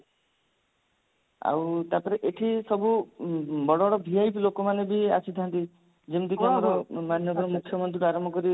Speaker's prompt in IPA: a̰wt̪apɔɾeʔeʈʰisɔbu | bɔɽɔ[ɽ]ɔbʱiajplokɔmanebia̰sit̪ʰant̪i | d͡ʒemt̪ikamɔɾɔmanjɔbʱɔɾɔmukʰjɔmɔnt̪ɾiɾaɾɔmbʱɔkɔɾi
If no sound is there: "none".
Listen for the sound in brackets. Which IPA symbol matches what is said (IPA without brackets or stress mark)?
ɽ